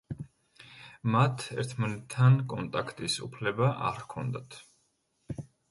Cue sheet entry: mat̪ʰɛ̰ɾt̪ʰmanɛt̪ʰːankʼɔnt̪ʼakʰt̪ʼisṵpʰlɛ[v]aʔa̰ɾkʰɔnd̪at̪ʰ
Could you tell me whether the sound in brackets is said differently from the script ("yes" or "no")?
yes